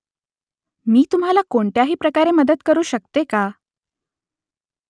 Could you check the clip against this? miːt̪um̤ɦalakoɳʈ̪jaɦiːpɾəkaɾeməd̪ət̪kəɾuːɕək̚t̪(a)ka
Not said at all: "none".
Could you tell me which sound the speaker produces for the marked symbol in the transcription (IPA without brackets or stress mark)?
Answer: e